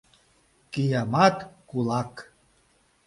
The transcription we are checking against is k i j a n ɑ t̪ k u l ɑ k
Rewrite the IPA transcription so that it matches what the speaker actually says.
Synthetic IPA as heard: k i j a m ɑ t̪ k u l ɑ k